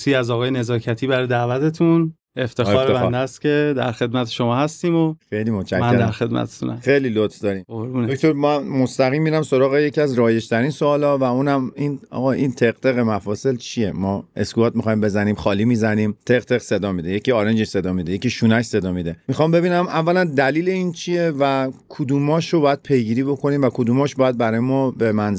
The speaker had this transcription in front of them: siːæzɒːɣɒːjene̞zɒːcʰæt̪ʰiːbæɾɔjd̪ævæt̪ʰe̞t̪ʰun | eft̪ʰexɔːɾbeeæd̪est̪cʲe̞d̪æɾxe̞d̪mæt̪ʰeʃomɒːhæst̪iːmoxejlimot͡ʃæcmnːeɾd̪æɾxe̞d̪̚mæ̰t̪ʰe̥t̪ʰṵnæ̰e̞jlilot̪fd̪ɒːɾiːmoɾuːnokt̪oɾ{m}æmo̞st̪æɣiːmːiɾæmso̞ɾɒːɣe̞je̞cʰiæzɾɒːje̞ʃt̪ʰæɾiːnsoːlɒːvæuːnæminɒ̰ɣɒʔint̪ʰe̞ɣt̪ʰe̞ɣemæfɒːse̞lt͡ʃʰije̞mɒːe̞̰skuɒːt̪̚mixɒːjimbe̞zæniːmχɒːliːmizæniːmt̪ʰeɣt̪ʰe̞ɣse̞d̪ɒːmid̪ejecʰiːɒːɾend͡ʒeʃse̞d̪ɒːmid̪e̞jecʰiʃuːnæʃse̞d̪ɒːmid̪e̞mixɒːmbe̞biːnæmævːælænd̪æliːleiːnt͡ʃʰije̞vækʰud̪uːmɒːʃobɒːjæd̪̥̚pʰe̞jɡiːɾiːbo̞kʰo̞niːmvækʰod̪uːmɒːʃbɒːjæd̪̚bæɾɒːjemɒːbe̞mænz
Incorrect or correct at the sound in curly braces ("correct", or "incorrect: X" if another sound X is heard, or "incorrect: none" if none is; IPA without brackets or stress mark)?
correct